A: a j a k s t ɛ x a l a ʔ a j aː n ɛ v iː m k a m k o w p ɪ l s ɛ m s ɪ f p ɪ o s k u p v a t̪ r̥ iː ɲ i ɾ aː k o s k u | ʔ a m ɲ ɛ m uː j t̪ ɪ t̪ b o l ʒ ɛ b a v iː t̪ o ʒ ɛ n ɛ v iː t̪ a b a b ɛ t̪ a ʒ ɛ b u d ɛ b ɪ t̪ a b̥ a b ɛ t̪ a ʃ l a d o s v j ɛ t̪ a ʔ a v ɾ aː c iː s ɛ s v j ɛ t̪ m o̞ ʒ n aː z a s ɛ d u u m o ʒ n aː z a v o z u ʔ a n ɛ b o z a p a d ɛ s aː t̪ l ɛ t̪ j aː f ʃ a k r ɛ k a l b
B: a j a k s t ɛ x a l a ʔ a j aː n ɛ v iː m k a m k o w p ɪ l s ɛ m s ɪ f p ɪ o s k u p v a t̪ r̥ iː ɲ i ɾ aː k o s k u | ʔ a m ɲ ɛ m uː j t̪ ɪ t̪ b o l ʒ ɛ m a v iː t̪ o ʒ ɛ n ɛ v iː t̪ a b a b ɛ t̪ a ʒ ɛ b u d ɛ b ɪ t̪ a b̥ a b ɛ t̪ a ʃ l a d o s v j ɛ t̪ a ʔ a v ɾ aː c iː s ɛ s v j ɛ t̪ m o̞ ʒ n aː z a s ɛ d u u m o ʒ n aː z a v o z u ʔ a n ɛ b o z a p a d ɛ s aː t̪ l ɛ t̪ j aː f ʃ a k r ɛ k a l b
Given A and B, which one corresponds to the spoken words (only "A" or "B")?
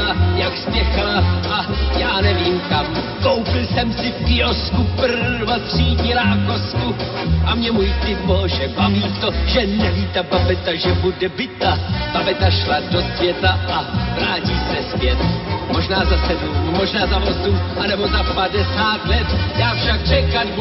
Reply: A